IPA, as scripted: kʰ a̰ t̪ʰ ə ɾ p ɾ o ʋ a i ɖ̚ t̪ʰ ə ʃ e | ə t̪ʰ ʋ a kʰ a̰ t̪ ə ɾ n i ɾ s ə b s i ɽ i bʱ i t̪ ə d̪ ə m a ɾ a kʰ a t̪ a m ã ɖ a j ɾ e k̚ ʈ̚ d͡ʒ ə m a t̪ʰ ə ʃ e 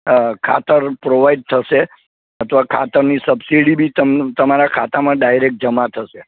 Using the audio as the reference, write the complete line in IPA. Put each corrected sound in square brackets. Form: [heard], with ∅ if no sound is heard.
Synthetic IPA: kʰ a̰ [t̪] ə ɾ p ɾ o ʋ a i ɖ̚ t̪ʰ ə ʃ e | ə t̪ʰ ʋ a kʰ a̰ t̪ ə ɾ n i [∅] s ə b s i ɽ i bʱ i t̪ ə [t̪] ə m a ɾ a kʰ a t̪ a m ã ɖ a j ɾ e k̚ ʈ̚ d͡ʒ ə m a t̪ʰ ə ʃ e